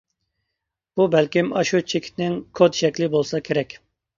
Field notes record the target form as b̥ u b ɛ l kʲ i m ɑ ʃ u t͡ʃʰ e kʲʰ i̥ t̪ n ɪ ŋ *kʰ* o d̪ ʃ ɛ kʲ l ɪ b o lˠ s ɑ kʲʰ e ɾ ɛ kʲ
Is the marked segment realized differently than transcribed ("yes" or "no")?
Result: no